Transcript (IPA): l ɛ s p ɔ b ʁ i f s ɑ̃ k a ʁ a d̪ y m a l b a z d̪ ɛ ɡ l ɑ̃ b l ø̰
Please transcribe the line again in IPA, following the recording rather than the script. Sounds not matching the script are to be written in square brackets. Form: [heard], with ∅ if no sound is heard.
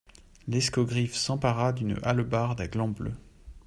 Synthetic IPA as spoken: l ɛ s [k] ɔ [ɡ] ʁ i f s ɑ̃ [p] a ʁ a d̪ y [n] a l b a [ʁ] d̪ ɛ ɡ l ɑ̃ b l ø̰